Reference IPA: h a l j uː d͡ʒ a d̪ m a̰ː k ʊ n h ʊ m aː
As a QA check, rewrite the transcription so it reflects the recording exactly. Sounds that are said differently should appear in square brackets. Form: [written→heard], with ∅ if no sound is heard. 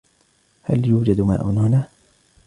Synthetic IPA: h a l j uː d͡ʒ a d̪ m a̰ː [k→ʔ] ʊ n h ʊ [m→n] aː